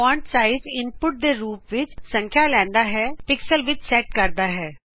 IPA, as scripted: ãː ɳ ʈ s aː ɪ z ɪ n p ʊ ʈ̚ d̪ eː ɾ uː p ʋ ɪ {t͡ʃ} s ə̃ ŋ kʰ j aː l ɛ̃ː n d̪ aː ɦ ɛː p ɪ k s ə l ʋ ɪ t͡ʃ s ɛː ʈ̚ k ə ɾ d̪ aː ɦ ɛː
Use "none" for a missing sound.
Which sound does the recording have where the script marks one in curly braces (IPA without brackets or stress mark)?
t͡ʃ